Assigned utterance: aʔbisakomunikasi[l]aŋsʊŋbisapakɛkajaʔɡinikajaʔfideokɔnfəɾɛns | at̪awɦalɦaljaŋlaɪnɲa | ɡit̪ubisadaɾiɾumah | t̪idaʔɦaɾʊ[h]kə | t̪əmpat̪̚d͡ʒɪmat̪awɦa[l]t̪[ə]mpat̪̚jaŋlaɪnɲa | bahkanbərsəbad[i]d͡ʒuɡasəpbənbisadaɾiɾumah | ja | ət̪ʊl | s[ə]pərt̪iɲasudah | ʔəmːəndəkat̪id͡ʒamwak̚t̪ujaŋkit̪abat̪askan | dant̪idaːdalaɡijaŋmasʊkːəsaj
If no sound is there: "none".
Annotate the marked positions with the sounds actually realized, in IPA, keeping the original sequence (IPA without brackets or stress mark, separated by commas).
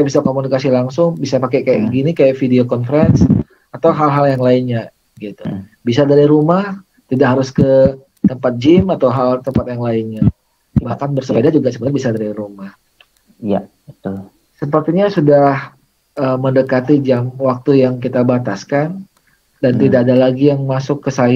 l, s, l, ə, a, ə